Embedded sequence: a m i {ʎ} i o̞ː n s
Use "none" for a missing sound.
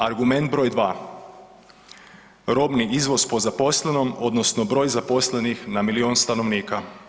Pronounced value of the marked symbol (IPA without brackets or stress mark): l